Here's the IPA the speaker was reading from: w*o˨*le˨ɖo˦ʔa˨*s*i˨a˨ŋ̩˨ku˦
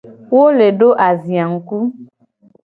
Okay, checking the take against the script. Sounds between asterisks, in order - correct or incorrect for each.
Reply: incorrect: o˦, incorrect: z

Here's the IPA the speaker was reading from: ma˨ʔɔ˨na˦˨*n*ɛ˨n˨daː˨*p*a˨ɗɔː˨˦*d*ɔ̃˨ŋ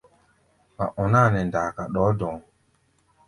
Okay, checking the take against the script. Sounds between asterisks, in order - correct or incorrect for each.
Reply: correct, incorrect: k, correct

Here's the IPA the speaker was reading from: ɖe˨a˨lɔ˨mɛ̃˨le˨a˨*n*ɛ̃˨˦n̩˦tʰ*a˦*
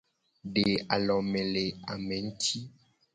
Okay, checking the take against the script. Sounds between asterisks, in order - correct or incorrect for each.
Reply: incorrect: m, incorrect: i˦

